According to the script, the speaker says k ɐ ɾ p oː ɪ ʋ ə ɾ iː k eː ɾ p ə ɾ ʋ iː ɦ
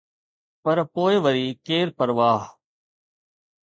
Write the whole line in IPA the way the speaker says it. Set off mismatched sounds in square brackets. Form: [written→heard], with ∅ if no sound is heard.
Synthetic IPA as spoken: [k→p] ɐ ɾ p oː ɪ ʋ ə ɾ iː k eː ɾ p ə ɾ ʋ [iː→aː] ɦ